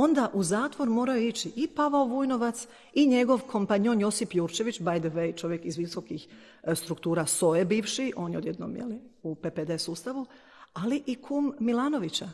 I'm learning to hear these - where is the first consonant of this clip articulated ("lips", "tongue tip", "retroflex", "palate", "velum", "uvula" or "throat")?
tongue tip